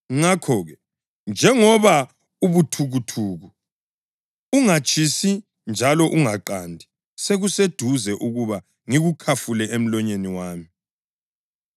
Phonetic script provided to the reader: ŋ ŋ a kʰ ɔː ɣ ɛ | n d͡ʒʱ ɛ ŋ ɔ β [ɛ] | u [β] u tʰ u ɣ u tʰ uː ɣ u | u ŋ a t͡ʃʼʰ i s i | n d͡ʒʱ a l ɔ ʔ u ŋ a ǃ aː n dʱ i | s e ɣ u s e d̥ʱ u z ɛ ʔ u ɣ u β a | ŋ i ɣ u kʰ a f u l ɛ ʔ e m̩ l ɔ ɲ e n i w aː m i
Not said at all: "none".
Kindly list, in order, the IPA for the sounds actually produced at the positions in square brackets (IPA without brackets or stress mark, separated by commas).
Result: a, β